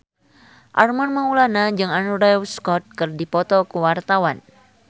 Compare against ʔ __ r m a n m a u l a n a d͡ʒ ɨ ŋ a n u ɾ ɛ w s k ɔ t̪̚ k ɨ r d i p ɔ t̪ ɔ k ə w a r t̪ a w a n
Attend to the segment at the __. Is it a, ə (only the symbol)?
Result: a